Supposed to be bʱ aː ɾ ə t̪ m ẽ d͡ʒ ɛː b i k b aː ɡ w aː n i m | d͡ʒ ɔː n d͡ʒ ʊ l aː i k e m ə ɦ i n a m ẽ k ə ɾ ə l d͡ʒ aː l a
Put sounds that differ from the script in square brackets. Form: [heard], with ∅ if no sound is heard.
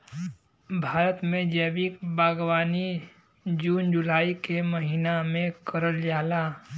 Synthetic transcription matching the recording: bʱ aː ɾ ə t̪ m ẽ d͡ʒ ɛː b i k b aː ɡ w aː n i [∅] | d͡ʒ [uː] n d͡ʒ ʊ l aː i k e m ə ɦ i n a m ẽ k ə ɾ ə l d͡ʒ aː l a